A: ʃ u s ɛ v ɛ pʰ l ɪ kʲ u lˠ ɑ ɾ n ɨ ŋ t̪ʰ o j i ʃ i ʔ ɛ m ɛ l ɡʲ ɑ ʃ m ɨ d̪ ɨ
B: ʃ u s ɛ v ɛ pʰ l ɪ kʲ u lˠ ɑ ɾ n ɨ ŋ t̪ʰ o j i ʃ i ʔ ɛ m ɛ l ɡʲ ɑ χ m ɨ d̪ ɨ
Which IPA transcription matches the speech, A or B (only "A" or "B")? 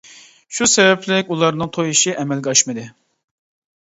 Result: A